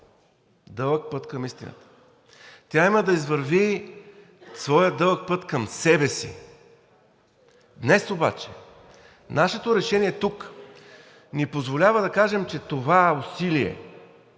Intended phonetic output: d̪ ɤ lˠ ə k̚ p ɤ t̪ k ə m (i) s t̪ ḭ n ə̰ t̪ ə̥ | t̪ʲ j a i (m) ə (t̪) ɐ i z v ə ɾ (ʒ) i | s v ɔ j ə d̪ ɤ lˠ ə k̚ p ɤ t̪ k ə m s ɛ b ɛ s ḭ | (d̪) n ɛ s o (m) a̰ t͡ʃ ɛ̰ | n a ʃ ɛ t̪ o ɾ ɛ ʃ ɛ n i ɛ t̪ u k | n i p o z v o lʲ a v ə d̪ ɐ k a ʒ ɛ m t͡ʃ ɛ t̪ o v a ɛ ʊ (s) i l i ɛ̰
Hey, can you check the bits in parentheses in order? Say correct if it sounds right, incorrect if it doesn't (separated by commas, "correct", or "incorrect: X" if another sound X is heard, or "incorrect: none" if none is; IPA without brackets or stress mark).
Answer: correct, correct, incorrect: d̪, incorrect: v, correct, incorrect: b, correct